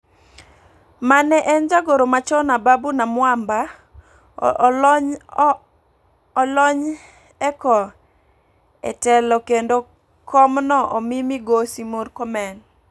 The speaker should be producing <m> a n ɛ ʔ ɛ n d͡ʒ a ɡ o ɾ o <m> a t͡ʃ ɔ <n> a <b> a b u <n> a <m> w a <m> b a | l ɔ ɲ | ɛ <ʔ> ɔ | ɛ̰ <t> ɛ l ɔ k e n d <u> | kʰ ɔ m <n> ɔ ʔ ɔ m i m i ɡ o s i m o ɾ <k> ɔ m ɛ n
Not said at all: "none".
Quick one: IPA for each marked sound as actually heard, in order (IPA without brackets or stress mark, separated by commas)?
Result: m, m, n, b, n, m, m, k, t, o, n, k